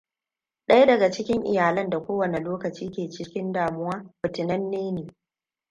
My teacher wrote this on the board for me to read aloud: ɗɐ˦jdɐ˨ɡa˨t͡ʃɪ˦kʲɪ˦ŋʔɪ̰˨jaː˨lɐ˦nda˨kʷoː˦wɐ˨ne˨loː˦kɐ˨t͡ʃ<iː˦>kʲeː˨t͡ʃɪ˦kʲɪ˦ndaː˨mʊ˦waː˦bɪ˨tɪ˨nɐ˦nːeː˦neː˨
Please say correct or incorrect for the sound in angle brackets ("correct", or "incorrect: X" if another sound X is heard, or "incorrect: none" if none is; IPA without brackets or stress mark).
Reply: correct